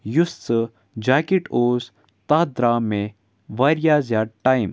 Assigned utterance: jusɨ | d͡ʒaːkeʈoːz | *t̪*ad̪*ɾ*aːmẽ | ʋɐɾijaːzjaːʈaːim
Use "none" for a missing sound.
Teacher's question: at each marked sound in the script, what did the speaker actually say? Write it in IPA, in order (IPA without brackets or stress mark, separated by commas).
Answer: t̪, ɾ